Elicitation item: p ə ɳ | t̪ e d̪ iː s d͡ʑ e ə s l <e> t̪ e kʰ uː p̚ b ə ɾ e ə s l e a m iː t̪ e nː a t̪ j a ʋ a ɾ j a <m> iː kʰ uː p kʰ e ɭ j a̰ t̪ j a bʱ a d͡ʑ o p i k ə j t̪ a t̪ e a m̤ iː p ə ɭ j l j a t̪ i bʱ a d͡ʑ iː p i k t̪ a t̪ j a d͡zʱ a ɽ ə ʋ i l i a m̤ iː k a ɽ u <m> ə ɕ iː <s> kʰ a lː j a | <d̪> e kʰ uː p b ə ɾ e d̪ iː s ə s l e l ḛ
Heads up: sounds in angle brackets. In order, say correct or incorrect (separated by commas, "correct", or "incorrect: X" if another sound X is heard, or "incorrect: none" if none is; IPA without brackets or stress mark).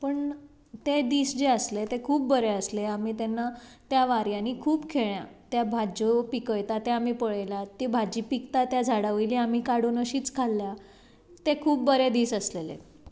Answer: correct, incorrect: n, incorrect: n, incorrect: t͡s, incorrect: t̪